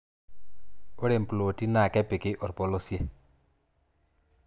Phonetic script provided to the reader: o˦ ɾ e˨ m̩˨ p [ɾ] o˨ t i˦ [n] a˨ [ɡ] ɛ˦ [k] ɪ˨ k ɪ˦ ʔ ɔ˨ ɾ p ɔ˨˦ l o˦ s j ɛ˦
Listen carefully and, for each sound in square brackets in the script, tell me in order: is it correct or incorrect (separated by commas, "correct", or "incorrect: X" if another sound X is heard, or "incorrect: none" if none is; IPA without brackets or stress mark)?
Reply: incorrect: l, correct, incorrect: k, incorrect: p